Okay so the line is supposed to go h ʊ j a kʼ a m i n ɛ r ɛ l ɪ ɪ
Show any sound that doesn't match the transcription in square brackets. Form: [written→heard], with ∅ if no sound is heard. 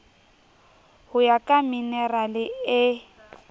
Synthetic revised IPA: h ʊ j a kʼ a m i n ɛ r [ɛ→a] l ɪ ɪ